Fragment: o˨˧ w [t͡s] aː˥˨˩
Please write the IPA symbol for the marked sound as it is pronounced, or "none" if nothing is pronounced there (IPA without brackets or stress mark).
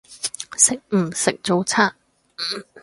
t͡sʰ